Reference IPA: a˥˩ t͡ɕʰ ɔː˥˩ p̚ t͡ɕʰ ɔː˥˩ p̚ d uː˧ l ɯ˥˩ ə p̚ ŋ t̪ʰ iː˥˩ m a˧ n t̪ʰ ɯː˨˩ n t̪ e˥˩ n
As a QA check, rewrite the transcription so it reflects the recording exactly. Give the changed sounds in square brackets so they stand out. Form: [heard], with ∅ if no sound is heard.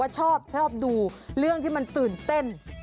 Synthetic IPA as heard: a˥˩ t͡ɕʰ ɔː˥˩ p̚ t͡ɕʰ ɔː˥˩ p̚ d uː˧ [ɾ] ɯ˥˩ ə [∅] ŋ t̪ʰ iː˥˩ m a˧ n [t̪] ɯː˨˩ n t̪ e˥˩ n